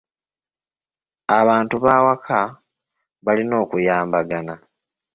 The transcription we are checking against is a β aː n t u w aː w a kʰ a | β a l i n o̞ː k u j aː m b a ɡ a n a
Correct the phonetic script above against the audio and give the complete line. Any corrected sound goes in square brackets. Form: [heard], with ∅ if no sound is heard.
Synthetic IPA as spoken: a β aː n t u [β] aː w a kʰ a | β a l i n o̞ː k u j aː m b a ɡ a n a